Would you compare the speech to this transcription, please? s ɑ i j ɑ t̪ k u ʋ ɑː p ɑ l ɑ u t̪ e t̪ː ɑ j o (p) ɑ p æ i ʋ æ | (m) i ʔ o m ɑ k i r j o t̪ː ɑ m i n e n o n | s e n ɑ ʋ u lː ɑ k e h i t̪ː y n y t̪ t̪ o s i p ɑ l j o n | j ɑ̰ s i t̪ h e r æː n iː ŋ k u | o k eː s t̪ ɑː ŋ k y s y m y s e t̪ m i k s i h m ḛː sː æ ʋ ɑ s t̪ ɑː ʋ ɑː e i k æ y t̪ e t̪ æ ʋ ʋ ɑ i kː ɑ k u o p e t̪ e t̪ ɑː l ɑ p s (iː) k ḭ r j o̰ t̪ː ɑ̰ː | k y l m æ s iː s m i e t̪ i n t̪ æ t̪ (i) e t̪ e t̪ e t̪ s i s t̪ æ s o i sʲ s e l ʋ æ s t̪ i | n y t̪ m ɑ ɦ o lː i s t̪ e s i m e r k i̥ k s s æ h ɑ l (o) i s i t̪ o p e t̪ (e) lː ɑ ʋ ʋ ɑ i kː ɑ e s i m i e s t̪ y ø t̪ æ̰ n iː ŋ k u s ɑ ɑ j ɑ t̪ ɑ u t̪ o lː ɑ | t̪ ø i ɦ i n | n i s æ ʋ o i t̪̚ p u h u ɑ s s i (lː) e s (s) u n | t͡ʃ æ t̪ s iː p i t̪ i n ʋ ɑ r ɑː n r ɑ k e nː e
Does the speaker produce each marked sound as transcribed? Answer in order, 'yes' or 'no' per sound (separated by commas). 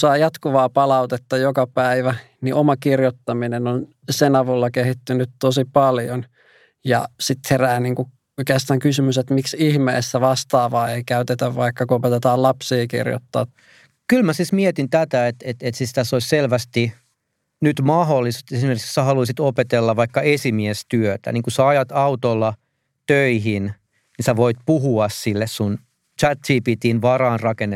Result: no, no, yes, no, no, yes, yes, yes